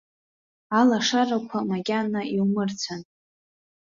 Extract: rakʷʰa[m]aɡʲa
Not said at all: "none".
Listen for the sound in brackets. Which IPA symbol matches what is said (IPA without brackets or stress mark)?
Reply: m